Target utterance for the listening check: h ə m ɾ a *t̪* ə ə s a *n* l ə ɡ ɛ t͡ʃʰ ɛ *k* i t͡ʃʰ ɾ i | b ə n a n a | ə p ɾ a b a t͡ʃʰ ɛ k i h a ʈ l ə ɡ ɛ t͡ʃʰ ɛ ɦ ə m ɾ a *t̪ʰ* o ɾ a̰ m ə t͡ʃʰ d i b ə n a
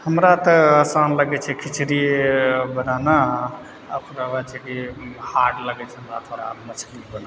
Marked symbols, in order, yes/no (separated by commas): yes, yes, no, yes